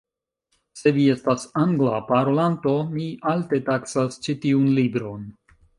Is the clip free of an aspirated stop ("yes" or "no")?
yes